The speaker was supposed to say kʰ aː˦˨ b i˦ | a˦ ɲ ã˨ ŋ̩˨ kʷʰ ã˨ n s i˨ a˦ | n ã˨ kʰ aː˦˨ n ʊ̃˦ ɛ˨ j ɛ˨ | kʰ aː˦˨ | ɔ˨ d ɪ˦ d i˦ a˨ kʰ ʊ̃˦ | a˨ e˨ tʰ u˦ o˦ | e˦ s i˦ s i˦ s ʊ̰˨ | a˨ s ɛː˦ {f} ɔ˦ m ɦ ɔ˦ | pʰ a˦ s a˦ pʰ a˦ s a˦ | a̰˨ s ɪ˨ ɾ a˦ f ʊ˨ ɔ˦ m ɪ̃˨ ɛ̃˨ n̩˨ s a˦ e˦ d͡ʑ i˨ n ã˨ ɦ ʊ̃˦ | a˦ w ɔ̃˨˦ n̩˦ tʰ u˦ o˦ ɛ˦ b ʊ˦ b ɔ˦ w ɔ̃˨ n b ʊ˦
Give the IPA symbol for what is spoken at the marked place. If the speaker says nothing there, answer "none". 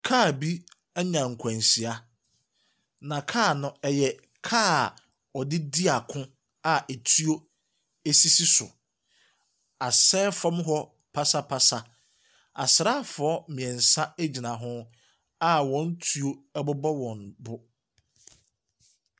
f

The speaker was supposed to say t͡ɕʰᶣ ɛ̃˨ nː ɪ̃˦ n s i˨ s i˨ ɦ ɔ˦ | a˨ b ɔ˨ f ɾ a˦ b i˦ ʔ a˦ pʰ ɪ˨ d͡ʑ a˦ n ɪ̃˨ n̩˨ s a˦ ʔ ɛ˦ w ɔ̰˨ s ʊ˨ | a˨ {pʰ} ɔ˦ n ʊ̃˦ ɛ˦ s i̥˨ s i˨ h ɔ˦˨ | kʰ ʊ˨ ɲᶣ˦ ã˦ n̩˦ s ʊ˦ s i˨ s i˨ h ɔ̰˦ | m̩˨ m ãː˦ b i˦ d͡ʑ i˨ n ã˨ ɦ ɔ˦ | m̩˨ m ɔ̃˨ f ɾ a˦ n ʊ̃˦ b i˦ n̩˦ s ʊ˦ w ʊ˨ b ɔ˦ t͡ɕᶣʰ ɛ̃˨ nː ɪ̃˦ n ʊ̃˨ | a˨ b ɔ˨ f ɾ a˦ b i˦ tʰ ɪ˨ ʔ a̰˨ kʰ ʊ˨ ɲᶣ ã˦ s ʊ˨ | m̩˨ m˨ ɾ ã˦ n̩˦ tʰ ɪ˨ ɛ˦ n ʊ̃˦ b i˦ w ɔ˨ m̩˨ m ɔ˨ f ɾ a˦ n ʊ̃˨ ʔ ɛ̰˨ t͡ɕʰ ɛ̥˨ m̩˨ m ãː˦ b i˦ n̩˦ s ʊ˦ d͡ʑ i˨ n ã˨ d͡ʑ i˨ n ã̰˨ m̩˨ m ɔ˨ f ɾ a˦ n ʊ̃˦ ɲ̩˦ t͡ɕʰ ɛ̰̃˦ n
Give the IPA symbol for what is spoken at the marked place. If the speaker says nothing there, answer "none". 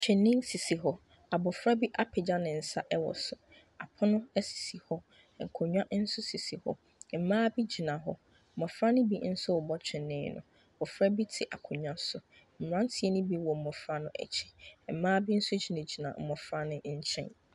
pʰ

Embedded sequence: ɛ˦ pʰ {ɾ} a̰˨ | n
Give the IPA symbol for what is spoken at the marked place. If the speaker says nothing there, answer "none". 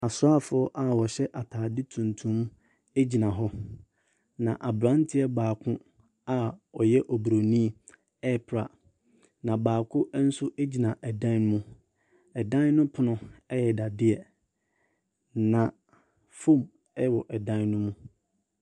ɾ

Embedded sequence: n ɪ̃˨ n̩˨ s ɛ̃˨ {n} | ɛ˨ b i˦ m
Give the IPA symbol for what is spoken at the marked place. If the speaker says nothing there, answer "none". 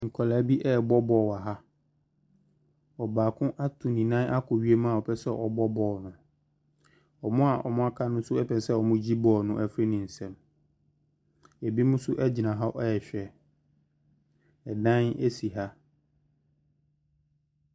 m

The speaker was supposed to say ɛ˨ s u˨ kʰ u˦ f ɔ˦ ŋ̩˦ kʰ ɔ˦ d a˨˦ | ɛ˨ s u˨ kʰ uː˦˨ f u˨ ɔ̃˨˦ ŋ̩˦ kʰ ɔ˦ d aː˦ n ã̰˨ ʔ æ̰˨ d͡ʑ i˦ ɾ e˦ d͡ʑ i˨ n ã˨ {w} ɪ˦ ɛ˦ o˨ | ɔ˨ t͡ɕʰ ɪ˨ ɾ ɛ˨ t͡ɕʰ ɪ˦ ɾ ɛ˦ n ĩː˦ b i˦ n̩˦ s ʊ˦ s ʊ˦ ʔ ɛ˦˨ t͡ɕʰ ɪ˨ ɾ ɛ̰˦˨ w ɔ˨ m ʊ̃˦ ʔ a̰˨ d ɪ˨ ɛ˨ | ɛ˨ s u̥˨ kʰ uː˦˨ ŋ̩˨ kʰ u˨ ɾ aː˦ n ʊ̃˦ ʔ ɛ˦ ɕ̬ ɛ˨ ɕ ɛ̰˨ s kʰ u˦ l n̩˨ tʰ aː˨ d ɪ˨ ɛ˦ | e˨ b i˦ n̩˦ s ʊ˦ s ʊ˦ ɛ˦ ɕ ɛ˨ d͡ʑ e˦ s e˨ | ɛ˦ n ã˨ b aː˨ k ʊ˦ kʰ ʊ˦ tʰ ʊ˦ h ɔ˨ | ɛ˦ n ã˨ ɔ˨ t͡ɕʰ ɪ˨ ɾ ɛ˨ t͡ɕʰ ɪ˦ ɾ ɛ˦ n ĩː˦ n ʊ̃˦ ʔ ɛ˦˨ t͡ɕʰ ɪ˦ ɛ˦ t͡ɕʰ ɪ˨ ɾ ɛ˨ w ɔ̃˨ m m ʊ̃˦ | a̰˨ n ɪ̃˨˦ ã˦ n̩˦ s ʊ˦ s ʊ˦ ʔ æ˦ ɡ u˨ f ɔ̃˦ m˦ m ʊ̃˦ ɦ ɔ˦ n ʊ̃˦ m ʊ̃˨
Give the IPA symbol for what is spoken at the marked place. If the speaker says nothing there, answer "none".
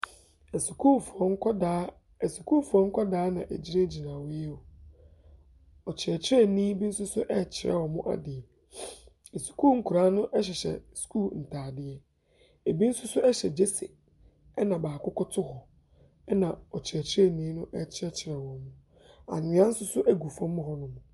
w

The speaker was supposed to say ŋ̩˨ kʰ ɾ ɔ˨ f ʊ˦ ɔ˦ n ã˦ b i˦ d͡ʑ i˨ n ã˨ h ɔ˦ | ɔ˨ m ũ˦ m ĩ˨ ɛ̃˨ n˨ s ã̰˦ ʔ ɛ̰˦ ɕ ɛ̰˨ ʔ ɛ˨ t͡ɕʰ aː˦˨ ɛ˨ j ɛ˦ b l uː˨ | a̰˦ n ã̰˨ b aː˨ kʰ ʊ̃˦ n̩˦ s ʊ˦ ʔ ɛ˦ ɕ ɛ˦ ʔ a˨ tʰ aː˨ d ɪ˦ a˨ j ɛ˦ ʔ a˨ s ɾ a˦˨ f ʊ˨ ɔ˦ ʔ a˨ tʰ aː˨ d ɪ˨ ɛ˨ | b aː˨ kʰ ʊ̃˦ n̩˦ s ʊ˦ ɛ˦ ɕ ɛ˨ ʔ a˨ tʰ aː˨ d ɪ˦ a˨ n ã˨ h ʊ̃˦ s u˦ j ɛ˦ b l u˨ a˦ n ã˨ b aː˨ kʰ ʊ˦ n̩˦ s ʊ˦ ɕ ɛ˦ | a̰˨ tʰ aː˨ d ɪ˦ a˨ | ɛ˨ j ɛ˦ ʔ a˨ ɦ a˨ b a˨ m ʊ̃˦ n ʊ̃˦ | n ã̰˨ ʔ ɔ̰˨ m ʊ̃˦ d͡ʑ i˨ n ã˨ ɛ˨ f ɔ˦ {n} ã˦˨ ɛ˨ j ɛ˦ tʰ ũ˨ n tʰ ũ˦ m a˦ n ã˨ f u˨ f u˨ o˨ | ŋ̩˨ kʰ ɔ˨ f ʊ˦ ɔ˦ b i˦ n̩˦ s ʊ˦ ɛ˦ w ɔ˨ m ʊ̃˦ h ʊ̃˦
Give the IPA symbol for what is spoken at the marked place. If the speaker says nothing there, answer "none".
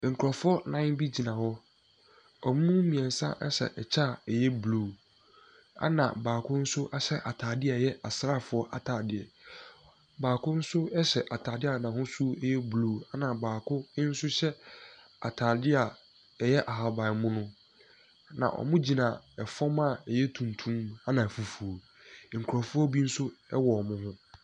m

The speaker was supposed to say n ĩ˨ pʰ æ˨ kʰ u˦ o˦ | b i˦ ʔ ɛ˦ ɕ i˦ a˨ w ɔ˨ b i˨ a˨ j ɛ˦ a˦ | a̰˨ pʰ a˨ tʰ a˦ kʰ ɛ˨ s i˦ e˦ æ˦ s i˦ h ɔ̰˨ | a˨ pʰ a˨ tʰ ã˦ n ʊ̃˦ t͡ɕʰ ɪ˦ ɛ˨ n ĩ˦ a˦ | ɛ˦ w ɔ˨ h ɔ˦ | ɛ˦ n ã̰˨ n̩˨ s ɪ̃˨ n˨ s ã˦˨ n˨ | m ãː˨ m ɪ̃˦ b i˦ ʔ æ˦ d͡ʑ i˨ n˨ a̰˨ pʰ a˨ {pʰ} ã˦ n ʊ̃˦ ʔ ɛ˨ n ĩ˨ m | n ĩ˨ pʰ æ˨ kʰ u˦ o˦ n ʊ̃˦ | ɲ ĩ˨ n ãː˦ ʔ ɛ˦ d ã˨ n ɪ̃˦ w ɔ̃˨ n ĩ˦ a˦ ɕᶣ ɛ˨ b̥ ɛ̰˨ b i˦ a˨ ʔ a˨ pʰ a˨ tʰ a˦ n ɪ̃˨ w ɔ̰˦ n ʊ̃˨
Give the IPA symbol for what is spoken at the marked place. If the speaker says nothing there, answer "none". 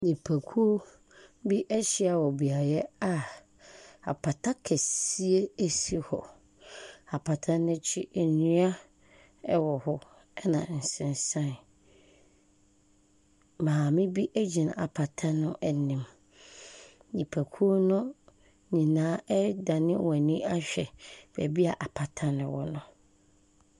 tʰ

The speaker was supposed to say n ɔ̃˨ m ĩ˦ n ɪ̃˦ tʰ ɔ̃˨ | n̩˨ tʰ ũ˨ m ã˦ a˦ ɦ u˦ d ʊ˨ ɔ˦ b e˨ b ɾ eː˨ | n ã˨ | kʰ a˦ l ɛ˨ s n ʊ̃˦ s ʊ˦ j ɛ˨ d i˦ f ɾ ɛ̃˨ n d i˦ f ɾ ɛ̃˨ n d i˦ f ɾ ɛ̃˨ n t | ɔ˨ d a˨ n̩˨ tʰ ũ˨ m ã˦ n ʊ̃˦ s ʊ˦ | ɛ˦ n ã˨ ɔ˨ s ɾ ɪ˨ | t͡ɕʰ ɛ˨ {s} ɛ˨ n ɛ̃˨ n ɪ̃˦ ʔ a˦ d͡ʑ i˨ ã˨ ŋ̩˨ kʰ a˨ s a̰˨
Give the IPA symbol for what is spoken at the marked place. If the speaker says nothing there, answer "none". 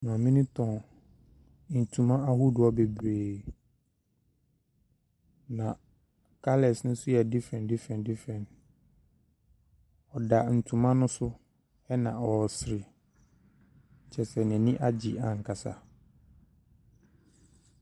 s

